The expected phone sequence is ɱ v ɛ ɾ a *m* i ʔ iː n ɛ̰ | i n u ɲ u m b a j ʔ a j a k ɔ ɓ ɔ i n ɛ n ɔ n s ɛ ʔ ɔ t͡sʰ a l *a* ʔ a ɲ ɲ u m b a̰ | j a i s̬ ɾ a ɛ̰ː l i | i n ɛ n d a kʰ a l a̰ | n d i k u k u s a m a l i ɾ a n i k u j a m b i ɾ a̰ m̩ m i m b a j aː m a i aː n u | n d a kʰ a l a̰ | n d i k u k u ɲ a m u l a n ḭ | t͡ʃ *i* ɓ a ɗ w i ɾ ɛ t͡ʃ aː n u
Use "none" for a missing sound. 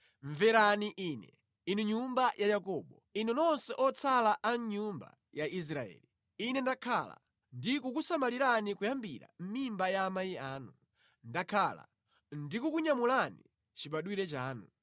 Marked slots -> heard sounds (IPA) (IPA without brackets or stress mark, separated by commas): n, a, i